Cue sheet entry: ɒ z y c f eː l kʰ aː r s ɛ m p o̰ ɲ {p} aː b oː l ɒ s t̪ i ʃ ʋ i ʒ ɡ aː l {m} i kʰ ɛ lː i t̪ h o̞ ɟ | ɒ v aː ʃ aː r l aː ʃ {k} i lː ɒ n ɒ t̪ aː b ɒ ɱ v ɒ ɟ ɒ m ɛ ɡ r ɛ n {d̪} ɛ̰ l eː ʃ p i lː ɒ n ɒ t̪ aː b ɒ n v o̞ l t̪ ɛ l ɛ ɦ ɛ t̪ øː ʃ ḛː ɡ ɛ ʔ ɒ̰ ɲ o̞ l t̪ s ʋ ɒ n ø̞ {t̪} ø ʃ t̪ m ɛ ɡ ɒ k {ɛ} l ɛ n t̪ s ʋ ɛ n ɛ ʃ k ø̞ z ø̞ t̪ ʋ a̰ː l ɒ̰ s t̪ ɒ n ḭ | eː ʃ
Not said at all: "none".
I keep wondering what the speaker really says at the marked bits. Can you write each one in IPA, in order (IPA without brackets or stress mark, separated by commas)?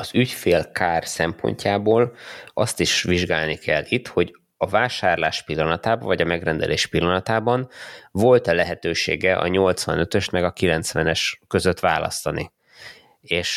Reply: c, n, p, d̪, t̪, i